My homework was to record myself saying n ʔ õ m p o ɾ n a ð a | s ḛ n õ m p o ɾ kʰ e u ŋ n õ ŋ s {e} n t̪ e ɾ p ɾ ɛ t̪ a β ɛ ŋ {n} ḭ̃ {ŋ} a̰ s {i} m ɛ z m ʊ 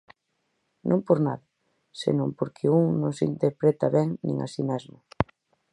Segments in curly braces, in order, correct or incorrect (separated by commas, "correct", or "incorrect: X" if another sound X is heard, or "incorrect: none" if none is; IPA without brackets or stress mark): incorrect: i, correct, correct, correct